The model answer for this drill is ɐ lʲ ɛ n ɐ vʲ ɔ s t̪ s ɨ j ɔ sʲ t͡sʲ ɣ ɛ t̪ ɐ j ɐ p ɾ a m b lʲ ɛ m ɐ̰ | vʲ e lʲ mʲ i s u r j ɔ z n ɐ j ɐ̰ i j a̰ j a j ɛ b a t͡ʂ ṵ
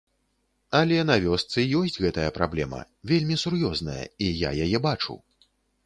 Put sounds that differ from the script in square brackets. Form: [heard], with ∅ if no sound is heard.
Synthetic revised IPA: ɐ lʲ ɛ n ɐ vʲ ɔ s t̪ s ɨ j ɔ sʲ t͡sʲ ɣ ɛ t̪ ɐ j ɐ p ɾ a [∅] b lʲ ɛ m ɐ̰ | vʲ e lʲ mʲ i s u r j ɔ z n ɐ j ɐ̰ i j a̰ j a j ɛ b a t͡ʂ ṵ